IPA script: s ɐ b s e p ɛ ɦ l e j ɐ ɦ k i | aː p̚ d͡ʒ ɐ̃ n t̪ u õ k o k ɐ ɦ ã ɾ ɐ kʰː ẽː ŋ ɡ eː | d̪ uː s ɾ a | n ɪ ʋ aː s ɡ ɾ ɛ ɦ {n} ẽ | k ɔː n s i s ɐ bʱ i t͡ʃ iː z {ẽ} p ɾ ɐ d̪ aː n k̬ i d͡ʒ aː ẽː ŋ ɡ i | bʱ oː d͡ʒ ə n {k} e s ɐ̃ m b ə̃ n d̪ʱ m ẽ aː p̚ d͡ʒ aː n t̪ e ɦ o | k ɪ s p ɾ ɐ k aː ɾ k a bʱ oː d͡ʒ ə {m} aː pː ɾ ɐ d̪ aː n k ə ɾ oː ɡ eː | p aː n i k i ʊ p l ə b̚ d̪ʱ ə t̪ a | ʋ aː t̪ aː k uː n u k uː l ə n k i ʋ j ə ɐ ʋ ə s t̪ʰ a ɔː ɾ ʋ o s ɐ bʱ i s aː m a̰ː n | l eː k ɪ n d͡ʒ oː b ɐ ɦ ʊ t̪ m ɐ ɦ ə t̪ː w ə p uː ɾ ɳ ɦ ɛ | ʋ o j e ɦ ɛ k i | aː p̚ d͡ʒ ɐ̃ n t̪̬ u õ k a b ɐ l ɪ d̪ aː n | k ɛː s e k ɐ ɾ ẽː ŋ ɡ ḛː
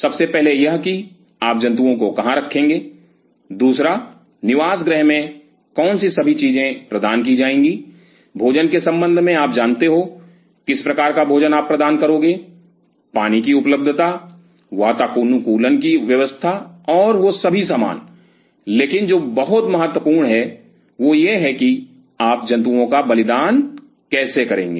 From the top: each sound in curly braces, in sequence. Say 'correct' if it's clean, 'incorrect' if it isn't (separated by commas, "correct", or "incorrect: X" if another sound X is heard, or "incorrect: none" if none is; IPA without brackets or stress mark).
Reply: incorrect: m, correct, correct, incorrect: n